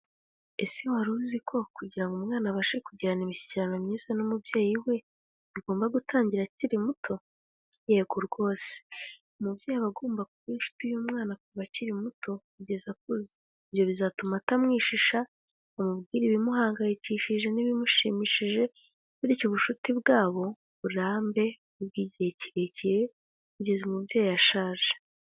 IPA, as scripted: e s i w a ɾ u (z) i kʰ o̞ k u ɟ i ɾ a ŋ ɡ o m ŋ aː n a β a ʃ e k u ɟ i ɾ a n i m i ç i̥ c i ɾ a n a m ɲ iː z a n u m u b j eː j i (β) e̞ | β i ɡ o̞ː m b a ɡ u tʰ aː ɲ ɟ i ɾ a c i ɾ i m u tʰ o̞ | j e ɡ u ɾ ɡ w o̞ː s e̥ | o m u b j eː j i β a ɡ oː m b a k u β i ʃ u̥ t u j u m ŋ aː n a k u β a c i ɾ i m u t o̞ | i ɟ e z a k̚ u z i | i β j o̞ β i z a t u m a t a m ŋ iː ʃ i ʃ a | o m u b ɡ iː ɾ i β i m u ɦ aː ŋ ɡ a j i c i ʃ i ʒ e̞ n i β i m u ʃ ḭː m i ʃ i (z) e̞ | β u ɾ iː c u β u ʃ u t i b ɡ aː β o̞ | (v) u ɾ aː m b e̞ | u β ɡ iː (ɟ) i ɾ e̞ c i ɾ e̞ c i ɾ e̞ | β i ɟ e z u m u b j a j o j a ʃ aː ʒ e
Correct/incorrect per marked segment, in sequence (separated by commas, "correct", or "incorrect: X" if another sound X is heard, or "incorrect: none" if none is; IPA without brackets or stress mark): correct, incorrect: w, incorrect: ʒ, incorrect: β, correct